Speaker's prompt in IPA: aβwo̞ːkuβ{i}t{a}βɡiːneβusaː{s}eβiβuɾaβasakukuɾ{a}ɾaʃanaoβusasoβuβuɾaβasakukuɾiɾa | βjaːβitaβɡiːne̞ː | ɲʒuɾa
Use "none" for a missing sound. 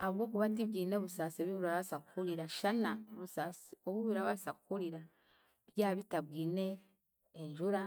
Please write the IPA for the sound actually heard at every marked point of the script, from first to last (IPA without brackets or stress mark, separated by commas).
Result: a, i, s, i